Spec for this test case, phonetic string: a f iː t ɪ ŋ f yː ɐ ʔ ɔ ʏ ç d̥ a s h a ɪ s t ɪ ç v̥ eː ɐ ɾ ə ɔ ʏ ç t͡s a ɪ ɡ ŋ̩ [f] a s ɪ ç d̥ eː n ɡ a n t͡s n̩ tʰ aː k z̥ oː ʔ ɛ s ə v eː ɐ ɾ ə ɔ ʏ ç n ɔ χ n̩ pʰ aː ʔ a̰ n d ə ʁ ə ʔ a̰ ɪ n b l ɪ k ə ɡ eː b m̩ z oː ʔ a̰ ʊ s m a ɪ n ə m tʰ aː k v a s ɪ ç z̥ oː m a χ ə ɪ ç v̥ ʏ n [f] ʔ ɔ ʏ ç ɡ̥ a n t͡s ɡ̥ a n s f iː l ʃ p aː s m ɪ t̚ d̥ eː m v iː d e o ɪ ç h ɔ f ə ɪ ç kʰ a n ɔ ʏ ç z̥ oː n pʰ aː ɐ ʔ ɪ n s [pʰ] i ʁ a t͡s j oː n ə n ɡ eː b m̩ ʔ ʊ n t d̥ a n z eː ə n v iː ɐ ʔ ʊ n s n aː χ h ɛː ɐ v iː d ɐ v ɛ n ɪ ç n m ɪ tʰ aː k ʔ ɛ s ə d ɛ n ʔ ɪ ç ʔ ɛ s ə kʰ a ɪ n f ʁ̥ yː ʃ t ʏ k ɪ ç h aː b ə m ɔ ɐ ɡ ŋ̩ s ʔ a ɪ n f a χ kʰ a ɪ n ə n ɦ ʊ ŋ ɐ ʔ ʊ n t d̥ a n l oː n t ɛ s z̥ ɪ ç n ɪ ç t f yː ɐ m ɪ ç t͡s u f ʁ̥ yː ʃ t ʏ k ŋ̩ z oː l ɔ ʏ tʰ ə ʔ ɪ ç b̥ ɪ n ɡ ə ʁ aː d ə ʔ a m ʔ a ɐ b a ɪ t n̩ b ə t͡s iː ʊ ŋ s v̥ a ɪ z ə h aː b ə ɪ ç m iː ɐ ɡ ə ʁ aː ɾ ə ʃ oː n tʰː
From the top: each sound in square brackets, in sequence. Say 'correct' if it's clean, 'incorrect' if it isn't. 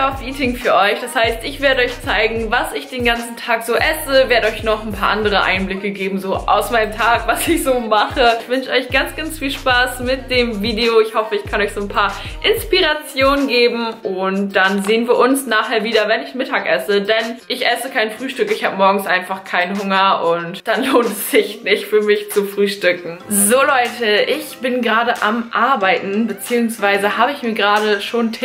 incorrect: v, incorrect: ʃ, incorrect: p

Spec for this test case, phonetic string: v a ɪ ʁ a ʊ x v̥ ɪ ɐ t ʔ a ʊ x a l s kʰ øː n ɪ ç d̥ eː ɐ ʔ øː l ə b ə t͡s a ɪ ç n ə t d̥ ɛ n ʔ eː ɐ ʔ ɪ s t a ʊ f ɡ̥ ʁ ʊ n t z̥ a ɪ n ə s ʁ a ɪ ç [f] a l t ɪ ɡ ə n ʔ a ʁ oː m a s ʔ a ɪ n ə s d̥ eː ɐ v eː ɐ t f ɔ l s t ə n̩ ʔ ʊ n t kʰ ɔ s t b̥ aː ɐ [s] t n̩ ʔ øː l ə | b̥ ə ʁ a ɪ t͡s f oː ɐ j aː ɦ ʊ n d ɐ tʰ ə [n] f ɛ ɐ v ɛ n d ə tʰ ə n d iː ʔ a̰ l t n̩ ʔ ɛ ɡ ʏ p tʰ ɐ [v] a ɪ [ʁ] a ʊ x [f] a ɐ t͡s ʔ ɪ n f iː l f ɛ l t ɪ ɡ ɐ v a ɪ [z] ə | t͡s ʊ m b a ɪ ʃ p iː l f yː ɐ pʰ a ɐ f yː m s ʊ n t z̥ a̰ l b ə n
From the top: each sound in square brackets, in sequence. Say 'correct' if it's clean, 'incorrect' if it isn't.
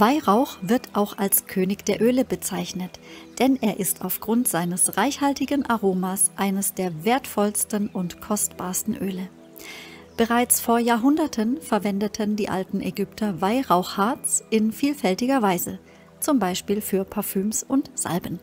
incorrect: h, correct, correct, correct, correct, incorrect: h, correct

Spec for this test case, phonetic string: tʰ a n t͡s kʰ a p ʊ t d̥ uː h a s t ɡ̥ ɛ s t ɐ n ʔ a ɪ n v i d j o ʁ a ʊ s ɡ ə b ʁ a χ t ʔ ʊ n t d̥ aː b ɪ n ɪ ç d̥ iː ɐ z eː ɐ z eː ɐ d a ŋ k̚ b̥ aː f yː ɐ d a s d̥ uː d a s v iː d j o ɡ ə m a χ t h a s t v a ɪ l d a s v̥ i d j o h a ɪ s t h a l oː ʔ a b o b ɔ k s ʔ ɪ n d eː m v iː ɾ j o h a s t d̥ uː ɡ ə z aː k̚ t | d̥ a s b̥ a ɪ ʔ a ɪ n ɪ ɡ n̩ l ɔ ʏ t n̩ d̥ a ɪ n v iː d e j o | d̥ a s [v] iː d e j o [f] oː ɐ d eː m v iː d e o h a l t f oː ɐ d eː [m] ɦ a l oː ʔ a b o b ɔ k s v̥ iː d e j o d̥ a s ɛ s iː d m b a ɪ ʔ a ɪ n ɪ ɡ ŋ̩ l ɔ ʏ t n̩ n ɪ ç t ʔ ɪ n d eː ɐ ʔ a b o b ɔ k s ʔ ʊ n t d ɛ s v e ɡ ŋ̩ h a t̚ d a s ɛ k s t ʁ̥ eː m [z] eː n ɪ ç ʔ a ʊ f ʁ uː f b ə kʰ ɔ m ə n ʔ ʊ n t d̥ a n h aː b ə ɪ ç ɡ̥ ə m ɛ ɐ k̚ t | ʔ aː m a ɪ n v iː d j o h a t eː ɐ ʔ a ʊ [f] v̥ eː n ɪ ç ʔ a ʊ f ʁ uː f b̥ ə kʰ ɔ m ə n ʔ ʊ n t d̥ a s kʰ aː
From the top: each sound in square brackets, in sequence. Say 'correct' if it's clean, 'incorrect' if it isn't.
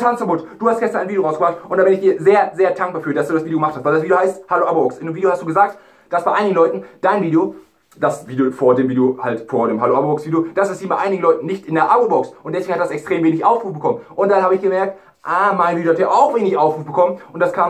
correct, correct, correct, incorrect: v, incorrect: x

